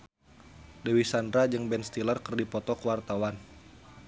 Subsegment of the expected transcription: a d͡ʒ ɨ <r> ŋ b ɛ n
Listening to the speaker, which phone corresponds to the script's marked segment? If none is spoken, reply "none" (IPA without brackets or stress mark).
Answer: none